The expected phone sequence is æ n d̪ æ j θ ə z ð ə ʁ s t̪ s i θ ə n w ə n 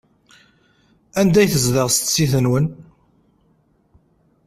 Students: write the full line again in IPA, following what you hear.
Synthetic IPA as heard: æ n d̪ æ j θ ə z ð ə ʁ s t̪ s i θ ə n w ə n